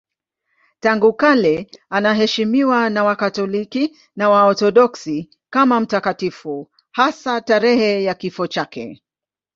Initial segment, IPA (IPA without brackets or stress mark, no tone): t